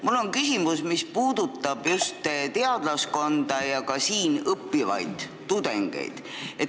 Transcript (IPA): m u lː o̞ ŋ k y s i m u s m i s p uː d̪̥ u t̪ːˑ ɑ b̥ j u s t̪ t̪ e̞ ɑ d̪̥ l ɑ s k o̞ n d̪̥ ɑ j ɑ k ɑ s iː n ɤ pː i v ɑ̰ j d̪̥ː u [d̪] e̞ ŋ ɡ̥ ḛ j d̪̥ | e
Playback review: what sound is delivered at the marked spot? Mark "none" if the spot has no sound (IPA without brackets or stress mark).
d̪